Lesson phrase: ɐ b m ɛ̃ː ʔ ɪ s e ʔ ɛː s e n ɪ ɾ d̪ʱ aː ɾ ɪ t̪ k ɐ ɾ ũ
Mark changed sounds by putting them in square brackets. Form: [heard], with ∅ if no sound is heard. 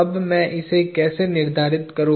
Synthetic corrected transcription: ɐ b m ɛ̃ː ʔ ɪ s e [k] ɛː s e n ɪ ɾ d̪ʱ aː ɾ ɪ t̪ k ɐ ɾ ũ